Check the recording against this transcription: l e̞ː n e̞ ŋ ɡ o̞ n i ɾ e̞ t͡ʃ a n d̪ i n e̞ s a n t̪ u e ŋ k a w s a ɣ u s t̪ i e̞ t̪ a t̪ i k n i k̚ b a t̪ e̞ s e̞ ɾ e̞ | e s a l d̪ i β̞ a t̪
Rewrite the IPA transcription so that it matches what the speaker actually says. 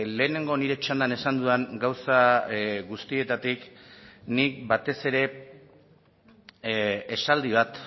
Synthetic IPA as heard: l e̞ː n e̞ ŋ ɡ o̞ n i ɾ e̞ t͡ʃ a n d̪ a n e̞ s a n d̪ u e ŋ ɡ a w s a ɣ u s t̪ i e̞ t̪ a t̪ i k n i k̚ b a t̪ e̞ s e̞ ɾ e̞ | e s a l d̪ i β̞ a t̪